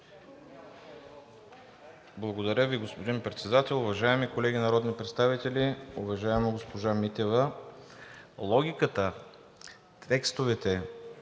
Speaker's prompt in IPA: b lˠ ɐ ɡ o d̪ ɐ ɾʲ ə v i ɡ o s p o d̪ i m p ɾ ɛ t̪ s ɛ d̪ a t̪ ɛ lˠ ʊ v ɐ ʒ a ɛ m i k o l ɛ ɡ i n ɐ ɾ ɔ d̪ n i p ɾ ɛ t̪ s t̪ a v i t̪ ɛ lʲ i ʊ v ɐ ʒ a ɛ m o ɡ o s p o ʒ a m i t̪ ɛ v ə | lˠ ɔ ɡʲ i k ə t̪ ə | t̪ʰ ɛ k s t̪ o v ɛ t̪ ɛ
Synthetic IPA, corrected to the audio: b lˠ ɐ ɡ o d̪ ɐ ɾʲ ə v i ɡ o s p o d̪ i n p ɾ ɛ t̪ s ɛ d̪ a t̪ ɛ lˠ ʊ v ɐ ʒ a ɛ m i k o l ɛ ɡ i n ɐ ɾ ɔ d̪ n i p ɾ ɛ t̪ s t̪ a v i t̪ ɛ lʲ i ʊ v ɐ ʒ a ɛ m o ɡ o s p o ʒ a m i t̪ ɛ v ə | lˠ ɔ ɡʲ i k ə t̪ ə | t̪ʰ ɛ k s t̪ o v ɛ t̪ ɛ